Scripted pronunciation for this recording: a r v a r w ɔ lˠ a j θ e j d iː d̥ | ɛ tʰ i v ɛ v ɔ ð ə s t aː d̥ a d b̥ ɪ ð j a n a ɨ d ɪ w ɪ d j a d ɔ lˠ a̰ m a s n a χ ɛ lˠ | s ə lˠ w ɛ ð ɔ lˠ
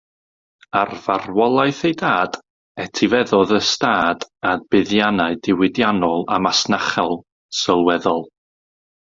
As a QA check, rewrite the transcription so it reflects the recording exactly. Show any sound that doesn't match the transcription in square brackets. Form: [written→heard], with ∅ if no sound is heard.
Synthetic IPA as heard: a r v a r w ɔ lˠ a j θ e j d [iː→aː] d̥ | ɛ tʰ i v ɛ [v→ð] ɔ ð ə s t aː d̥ a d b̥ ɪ ð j a n a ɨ d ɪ w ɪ d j a [d→n] ɔ lˠ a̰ m a s n a χ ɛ lˠ | s ə lˠ w ɛ ð ɔ lˠ